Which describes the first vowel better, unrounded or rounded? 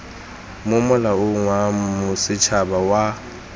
rounded